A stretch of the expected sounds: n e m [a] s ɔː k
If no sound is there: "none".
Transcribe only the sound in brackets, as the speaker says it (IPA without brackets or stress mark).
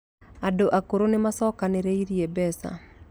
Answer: a